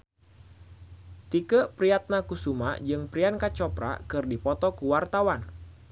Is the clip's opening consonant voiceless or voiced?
voiceless